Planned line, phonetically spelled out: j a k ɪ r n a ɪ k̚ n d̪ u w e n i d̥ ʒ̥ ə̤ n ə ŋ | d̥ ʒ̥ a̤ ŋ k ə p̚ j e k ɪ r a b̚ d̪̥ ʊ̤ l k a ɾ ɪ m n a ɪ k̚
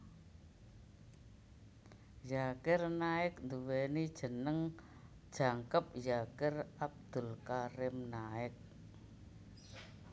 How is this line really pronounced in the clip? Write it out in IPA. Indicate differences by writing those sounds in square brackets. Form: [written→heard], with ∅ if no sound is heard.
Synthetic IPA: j a k ɪ r n a ɪ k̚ n d̪ u w e n i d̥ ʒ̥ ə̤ n ə ŋ | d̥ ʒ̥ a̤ ŋ k ə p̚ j [e→a] k ɪ r a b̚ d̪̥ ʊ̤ l k a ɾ ɪ m n a ɪ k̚